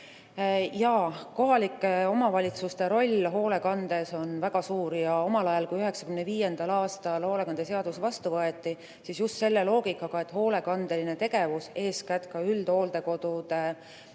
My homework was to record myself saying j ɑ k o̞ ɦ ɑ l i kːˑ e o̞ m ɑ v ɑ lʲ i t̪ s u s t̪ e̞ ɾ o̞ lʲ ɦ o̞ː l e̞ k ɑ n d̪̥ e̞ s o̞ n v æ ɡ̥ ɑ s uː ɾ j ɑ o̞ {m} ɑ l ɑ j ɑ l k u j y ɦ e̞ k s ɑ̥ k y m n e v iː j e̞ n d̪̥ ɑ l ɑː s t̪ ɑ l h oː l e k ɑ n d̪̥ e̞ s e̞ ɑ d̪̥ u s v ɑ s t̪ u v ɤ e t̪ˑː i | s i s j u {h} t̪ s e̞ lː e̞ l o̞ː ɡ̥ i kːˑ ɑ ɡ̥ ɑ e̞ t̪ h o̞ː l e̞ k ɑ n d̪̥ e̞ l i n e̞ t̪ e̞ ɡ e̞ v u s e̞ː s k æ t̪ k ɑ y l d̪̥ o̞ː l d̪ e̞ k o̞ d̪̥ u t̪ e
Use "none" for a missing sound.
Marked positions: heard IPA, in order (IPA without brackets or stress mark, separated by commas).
m, s